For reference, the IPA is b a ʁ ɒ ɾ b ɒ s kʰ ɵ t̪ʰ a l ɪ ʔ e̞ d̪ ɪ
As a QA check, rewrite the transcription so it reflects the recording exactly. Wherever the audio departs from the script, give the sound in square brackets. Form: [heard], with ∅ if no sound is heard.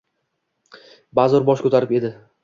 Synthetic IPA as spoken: b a [z] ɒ ɾ b ɒ [ʃ] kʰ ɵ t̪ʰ a [ɾ] ɪ [p] e̞ d̪ ɪ